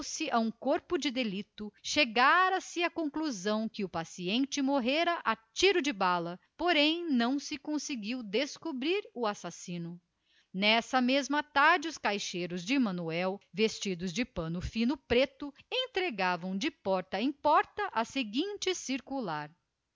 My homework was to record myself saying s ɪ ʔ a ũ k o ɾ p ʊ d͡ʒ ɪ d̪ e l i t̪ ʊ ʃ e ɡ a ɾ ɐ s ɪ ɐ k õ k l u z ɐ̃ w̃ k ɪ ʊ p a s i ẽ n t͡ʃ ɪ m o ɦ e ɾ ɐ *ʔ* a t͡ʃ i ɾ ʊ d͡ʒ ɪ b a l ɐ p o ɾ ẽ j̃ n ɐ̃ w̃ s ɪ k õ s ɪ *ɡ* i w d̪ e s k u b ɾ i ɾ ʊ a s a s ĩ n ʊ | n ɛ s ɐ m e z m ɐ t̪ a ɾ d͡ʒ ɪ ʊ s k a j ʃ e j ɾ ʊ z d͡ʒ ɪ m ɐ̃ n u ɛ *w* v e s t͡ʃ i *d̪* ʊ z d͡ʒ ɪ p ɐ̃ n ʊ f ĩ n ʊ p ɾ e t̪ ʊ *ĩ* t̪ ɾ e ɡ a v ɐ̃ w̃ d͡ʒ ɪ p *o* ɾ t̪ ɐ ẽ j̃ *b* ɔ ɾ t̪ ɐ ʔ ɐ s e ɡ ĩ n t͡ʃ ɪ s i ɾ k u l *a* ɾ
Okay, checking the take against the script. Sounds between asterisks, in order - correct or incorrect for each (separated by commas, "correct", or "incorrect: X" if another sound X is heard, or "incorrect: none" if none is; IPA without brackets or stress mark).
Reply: correct, correct, correct, correct, incorrect: ẽ, incorrect: ɔ, incorrect: p, correct